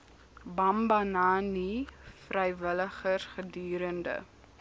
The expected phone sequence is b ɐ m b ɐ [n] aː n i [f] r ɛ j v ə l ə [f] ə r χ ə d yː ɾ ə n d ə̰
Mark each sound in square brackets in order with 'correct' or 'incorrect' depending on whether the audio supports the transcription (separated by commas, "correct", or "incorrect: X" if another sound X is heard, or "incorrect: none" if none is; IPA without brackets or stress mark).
correct, correct, incorrect: χ